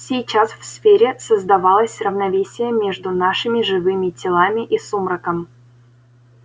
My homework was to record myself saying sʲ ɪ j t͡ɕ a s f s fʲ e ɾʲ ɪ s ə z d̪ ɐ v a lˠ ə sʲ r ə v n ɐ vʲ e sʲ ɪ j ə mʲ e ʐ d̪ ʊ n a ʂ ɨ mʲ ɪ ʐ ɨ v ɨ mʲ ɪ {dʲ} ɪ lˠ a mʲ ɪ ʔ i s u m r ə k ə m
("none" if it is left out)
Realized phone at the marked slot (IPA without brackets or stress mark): tʲ